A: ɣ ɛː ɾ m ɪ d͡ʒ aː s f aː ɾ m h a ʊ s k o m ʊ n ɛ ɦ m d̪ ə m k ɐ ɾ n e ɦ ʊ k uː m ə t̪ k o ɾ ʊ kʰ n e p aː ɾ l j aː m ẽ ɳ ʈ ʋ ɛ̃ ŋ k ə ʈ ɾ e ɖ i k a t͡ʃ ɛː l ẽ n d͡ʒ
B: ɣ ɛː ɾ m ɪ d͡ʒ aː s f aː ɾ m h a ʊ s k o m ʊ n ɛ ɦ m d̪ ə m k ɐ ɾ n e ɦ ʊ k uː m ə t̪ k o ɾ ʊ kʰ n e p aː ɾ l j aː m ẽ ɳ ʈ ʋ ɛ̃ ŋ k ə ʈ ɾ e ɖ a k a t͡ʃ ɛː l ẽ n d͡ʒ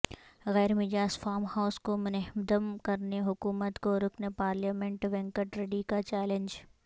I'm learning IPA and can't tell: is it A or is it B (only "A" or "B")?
A